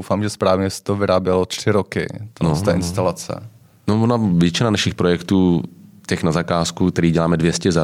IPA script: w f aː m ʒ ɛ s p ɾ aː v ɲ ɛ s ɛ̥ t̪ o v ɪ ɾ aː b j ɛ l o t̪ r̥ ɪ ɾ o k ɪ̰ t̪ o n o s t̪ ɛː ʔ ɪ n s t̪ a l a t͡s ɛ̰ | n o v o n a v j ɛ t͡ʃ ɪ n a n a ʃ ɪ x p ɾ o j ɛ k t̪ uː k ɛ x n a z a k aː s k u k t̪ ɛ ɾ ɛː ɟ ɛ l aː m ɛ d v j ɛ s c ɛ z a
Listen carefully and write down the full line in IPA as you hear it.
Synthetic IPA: w f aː m ʒ ɛ s p ɾ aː v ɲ ɛ s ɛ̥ t̪ o v ɪ ɾ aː b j ɛ l o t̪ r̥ ɪ ɾ o k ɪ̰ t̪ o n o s t̪ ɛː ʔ ɪ n s t̪ a l a t͡s ɛ̰ | n o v o n a v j ɛ t͡ʃ ɪ n a n a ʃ ɪ x p ɾ o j ɛ k t̪ uː c ɛ x n a z a k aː s k u k t̪ ɛ ɾ iː ɟ ɛ l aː m ɛ d v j ɛ s c ɛ z a